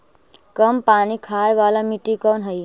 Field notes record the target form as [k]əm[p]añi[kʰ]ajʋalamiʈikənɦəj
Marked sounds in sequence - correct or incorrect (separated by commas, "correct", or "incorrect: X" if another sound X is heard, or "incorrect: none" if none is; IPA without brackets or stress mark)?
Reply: correct, correct, correct